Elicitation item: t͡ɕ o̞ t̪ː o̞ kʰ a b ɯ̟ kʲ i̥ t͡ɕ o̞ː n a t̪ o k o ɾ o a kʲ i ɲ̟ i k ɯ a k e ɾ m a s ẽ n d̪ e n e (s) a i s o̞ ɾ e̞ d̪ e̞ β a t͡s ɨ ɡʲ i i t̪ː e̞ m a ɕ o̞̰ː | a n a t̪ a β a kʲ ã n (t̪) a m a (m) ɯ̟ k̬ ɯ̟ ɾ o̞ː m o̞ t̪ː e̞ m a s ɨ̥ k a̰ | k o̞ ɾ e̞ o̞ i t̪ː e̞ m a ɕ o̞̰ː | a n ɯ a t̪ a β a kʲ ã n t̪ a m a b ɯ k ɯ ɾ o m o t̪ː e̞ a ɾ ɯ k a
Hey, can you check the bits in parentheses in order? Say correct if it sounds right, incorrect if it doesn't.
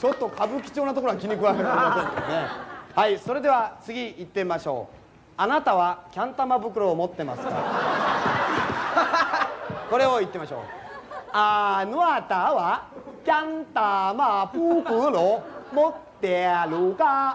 incorrect: h, correct, incorrect: b

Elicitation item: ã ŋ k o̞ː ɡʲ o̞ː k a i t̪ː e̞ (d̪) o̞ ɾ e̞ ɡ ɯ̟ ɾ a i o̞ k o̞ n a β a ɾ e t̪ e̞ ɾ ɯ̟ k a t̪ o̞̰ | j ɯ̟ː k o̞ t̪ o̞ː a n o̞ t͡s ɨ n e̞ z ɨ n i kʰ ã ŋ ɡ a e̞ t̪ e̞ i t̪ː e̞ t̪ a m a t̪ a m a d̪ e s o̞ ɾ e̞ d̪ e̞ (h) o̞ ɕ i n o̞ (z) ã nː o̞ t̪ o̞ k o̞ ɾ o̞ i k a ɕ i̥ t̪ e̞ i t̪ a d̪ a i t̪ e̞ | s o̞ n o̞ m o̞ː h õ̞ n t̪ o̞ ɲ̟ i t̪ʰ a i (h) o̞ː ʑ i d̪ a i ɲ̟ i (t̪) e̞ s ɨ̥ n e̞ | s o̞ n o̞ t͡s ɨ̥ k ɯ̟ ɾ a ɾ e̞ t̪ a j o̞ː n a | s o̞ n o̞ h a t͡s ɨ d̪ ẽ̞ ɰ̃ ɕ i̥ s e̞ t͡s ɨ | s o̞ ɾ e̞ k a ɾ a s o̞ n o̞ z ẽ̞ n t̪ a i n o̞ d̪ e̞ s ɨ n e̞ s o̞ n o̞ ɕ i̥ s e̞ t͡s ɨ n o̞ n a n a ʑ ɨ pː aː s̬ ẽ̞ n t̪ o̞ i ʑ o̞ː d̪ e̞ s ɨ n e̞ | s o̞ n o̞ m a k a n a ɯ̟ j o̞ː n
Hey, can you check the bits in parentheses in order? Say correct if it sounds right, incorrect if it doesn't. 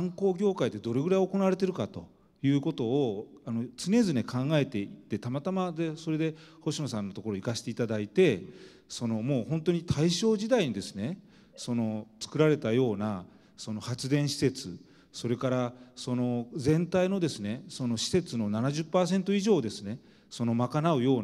correct, correct, incorrect: s, incorrect: ɕ, incorrect: d̪

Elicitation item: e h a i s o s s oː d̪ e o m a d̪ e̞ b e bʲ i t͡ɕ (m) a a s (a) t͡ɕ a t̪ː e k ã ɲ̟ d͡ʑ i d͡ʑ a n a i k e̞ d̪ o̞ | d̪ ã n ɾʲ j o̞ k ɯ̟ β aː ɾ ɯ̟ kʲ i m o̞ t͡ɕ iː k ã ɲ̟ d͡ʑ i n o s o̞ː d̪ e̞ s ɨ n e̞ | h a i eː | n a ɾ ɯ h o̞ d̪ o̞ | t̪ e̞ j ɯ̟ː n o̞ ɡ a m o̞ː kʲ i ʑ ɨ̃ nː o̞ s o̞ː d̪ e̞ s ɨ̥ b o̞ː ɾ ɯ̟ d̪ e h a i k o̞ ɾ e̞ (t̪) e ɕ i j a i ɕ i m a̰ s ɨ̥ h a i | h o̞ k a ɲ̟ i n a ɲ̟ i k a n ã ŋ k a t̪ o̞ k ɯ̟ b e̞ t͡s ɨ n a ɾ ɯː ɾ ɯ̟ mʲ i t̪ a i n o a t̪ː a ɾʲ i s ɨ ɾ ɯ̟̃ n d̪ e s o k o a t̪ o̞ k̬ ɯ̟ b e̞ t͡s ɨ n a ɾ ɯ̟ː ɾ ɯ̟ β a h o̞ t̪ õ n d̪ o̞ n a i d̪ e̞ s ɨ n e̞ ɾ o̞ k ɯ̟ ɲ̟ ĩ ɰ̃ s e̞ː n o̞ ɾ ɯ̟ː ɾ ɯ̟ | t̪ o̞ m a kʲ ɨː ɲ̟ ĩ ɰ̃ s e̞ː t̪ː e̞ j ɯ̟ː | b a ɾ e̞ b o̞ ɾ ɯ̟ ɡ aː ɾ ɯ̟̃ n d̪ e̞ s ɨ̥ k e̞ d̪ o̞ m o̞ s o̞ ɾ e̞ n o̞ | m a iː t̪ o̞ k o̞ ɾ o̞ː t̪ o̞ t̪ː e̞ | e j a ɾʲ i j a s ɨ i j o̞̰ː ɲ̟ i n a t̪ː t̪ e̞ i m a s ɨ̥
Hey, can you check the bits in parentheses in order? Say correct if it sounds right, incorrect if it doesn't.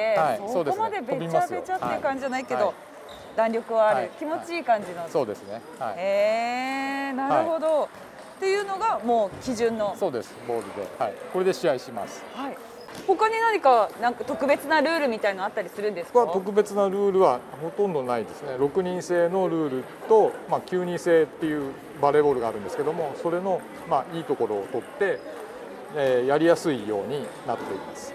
correct, incorrect: e, incorrect: d̪

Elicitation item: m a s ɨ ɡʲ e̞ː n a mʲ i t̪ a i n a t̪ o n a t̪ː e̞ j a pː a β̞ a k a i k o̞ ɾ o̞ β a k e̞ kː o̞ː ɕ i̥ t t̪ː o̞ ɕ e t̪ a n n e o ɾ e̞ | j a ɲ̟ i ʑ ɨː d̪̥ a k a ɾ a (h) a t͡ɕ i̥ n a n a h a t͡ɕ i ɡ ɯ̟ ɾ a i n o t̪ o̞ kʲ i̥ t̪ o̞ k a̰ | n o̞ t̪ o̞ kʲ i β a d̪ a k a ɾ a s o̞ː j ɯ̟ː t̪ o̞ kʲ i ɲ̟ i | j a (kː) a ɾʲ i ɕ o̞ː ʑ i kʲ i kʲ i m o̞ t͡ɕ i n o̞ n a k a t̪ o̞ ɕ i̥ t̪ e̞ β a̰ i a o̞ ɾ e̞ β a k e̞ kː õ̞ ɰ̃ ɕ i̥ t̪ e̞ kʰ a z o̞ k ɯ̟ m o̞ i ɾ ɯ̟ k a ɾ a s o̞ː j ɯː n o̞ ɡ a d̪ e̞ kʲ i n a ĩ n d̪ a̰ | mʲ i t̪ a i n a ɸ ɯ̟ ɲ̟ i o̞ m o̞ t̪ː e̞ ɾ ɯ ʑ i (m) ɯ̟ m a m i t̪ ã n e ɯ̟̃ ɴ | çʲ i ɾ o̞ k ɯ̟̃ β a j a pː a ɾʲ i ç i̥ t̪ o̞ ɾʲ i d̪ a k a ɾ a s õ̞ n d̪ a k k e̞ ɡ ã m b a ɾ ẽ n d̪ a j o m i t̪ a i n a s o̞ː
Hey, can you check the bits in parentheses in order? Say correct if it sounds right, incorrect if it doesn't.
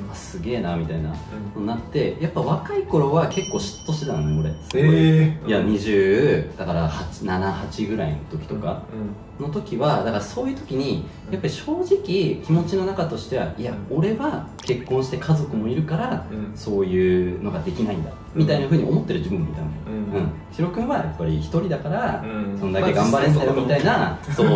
correct, incorrect: pː, incorrect: b

